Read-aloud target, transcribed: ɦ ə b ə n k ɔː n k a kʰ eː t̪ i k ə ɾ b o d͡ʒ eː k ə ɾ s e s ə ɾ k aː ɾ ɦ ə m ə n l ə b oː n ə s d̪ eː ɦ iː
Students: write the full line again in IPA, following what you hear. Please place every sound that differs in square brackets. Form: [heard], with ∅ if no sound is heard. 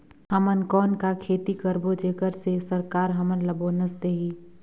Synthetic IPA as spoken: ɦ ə [m] ə n k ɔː n k a kʰ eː t̪ i k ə ɾ b o d͡ʒ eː k ə ɾ s e s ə ɾ k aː ɾ ɦ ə m ə n l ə b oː n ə s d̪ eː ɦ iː